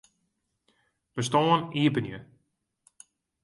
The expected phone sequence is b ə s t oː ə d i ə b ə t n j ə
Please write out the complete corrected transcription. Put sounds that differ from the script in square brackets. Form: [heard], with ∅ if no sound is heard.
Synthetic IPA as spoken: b ə s t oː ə [n] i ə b ə [∅] n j ə